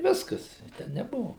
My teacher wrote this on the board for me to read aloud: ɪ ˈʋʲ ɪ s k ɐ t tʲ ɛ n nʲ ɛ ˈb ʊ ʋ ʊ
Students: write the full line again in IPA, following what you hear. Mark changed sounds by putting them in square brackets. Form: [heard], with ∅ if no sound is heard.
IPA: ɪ ˈʋʲ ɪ s k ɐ [s] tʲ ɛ n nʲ ɛ ˈb ʊ ʋ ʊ